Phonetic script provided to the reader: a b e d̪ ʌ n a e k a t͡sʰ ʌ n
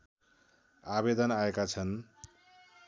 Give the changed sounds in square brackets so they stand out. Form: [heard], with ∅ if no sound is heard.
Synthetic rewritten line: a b e d̪ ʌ n a e k a t͡sʰ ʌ n